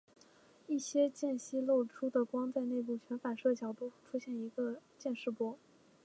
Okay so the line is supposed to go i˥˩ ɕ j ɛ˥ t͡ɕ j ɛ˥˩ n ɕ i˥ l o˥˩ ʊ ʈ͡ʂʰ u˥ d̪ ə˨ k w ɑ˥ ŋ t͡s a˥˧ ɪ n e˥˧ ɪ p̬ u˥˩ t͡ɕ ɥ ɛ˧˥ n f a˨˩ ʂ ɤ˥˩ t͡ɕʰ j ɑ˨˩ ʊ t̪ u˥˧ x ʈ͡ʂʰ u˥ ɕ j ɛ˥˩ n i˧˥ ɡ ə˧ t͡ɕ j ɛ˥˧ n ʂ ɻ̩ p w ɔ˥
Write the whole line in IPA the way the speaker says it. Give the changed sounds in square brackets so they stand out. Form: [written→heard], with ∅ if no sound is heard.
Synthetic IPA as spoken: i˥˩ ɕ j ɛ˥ t͡ɕ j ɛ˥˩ n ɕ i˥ l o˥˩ ʊ ʈ͡ʂʰ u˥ d̪ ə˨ k w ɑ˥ ŋ t͡s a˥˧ ɪ n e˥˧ ɪ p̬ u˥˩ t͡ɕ ɥ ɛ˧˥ n f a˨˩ ʂ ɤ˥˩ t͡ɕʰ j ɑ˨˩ ʊ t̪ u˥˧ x ʈ͡ʂʰ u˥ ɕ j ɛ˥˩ n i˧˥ ɡ ə˧ t͡ɕ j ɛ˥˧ n ʂ ɻ̩ p w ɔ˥